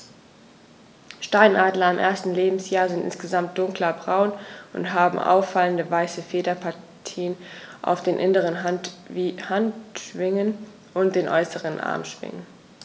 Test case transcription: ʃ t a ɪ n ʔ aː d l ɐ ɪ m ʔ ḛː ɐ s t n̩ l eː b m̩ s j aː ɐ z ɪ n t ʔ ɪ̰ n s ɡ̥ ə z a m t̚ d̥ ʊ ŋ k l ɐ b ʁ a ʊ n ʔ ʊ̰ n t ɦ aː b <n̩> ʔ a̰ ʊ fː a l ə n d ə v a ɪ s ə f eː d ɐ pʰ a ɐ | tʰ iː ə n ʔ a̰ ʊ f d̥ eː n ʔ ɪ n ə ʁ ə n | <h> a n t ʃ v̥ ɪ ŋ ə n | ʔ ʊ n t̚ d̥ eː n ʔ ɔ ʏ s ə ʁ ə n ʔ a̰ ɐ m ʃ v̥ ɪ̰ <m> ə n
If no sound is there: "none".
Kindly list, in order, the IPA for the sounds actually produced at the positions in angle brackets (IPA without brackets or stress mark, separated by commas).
m̩, h, ŋ